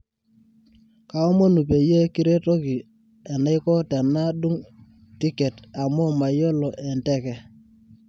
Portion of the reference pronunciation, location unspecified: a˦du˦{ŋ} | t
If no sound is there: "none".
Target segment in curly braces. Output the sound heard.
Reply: ŋ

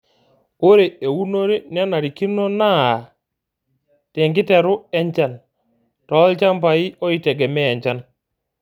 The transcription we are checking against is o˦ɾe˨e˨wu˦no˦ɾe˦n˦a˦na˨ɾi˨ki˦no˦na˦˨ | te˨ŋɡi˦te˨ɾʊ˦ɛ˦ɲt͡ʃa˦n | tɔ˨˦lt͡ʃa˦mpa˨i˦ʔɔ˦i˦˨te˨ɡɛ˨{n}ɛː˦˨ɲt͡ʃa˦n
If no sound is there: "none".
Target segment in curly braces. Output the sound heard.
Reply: m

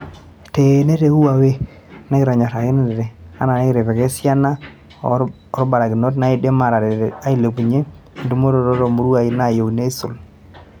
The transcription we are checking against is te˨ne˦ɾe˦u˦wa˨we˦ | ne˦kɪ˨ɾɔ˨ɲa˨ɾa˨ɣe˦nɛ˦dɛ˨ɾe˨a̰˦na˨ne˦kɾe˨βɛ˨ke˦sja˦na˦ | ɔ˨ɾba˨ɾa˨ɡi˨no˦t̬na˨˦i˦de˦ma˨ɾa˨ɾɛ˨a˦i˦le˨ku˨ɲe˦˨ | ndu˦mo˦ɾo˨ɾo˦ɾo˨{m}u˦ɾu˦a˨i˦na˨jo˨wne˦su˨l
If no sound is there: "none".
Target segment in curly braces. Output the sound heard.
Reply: m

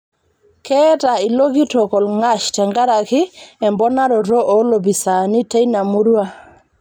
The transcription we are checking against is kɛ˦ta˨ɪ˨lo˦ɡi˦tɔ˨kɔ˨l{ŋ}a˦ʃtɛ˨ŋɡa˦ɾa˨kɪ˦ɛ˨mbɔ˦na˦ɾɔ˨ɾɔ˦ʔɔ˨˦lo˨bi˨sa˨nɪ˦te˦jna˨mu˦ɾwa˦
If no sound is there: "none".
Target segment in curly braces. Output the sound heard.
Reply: ŋ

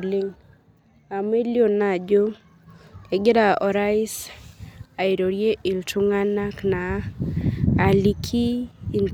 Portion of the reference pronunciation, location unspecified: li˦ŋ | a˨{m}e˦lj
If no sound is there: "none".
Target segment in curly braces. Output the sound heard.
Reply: m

